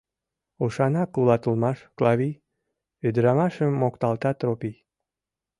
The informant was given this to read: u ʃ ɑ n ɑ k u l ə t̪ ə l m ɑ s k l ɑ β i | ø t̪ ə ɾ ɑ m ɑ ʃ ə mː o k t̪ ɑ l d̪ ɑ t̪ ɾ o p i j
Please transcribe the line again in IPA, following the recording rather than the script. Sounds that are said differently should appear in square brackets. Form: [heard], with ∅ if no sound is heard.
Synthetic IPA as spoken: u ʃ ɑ n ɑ k u l [ɑ] t̪ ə l m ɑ [ʃ] k l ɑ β i | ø [d̪] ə ɾ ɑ m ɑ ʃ ə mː o k t̪ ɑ l [t̪] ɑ t̪ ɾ o p i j